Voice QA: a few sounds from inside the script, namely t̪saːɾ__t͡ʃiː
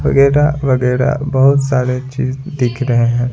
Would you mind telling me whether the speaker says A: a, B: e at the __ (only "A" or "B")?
B